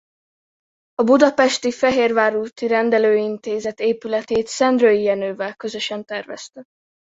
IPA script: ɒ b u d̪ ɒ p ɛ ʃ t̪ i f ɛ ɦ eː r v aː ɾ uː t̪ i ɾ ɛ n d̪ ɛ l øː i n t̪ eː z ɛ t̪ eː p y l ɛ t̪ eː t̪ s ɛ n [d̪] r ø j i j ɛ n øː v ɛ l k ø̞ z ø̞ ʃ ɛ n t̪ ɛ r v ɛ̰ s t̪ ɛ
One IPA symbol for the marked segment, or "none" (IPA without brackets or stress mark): d̪